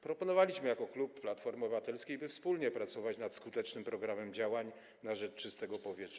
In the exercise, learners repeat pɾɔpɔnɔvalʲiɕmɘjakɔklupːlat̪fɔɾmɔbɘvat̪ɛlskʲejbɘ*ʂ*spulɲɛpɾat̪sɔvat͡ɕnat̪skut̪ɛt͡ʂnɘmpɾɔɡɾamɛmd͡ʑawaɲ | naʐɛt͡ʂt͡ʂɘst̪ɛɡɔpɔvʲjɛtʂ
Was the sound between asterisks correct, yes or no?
no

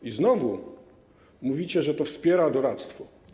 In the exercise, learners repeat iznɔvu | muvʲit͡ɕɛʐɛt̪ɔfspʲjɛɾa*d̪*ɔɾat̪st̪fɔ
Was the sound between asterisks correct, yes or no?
yes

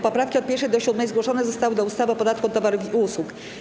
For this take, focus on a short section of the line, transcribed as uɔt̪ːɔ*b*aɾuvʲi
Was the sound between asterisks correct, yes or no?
no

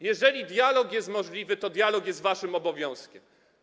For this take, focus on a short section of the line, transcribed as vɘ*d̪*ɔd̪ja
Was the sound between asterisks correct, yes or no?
no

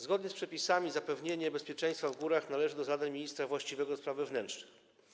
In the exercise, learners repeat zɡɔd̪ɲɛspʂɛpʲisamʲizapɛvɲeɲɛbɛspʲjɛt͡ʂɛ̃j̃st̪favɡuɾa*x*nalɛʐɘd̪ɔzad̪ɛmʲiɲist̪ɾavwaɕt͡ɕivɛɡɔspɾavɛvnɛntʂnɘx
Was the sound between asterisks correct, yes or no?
yes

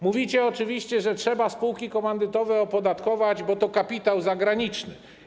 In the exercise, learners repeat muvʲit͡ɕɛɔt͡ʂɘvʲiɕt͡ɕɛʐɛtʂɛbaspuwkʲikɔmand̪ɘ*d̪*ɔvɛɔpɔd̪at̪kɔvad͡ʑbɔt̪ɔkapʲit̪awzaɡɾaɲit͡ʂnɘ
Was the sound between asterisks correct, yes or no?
no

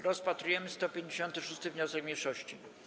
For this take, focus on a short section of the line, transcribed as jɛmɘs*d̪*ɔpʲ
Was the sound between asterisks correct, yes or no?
no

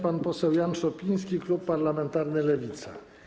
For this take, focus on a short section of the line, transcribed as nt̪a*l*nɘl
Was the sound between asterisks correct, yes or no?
no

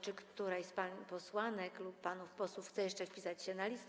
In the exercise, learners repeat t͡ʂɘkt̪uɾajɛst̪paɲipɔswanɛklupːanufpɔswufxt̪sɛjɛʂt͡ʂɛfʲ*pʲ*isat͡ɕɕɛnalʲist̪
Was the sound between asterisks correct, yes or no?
yes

